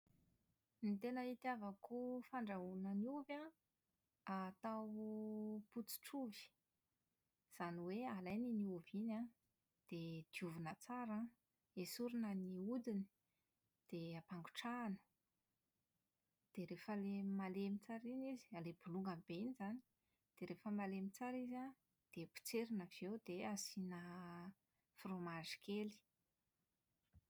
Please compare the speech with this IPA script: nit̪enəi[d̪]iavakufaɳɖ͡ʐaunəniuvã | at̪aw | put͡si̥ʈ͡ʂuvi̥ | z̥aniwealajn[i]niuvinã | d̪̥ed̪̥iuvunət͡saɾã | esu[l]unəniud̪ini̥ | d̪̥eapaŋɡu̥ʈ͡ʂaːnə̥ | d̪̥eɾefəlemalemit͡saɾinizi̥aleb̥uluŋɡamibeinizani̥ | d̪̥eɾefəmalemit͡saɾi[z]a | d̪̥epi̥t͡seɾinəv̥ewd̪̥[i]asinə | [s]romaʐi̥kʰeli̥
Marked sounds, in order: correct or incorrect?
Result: incorrect, correct, incorrect, correct, incorrect, incorrect

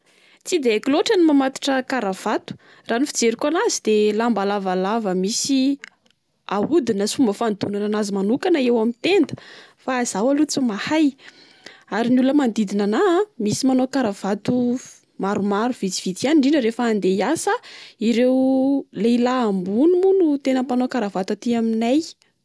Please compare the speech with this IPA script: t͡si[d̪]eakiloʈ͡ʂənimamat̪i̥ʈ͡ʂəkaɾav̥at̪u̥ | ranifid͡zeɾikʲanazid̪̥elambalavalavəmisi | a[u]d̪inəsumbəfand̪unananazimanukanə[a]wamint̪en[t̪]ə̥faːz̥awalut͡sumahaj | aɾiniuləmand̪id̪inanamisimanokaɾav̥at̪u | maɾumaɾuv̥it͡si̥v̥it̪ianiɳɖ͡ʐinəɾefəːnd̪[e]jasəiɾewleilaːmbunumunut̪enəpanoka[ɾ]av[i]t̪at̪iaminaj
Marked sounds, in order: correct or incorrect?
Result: correct, correct, incorrect, incorrect, correct, correct, incorrect

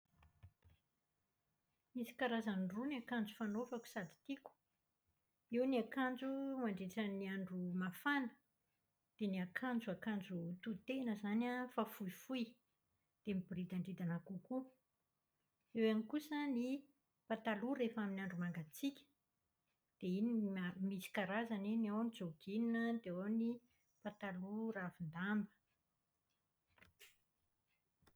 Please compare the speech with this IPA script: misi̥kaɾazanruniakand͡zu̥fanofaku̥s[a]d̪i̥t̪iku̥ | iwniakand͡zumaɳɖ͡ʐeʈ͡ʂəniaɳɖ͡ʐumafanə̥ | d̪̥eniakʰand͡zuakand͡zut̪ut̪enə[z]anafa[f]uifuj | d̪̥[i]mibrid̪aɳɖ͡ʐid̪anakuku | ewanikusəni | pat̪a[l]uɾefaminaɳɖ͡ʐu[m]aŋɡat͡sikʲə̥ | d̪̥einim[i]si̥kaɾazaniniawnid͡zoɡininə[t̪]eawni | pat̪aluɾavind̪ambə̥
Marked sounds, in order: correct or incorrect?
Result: correct, correct, correct, incorrect, correct, correct, correct, incorrect

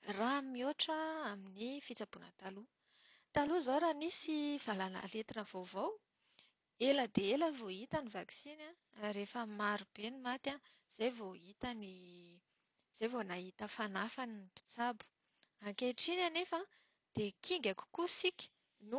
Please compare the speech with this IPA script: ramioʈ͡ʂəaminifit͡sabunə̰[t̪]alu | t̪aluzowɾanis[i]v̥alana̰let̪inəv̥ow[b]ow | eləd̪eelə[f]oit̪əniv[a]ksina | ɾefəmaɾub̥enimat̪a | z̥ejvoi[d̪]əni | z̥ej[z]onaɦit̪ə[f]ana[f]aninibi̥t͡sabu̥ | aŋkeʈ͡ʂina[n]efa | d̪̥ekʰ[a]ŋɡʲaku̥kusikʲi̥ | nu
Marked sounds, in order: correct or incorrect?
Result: correct, correct, incorrect, incorrect, correct, incorrect, incorrect, correct, correct, correct, incorrect

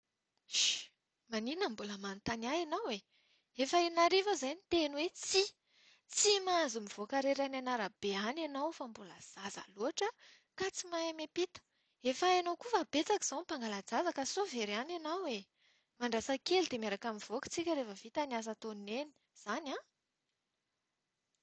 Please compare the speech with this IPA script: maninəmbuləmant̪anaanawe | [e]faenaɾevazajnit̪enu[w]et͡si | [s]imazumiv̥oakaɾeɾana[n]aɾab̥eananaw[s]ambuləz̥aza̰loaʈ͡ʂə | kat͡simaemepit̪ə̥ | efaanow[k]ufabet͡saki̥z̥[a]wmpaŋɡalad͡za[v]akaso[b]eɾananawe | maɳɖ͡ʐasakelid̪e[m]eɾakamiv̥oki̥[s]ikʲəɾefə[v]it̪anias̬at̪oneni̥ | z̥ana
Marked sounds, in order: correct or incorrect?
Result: correct, correct, incorrect, correct, incorrect, correct, correct, incorrect, incorrect, correct, incorrect, correct

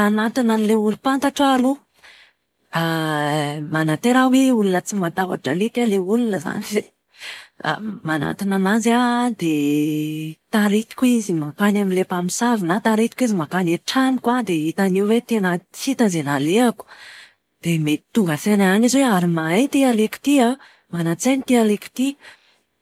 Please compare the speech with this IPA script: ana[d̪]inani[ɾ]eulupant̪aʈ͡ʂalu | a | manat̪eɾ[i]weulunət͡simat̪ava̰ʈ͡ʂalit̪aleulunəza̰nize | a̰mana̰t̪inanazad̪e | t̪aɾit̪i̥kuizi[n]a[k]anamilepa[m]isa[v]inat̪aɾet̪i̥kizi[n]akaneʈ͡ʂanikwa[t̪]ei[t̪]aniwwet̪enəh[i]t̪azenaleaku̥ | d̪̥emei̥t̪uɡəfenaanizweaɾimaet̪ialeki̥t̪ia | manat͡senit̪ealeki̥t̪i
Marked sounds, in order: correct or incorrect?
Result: incorrect, incorrect, incorrect, incorrect, correct, correct, correct, incorrect, incorrect, correct, correct

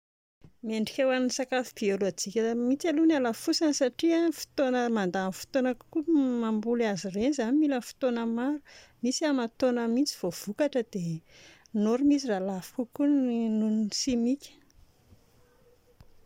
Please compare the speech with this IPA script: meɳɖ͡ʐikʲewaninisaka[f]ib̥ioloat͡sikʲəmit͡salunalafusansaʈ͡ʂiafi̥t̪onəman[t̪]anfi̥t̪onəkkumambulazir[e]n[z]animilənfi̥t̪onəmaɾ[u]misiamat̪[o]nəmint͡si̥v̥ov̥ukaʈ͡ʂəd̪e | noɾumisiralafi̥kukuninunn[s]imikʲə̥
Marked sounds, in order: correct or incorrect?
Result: correct, incorrect, correct, correct, correct, correct, correct

